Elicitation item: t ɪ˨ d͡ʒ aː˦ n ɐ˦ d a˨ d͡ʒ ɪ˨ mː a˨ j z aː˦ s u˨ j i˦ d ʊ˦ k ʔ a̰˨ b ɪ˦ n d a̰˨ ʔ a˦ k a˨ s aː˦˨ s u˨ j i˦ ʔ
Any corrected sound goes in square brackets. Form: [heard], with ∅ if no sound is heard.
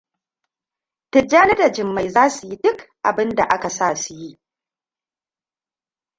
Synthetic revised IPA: t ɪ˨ d͡ʒ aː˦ n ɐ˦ d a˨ d͡ʒ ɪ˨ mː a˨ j z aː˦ s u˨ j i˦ d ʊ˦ k ʔ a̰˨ b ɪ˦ n d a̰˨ ʔ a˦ k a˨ s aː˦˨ s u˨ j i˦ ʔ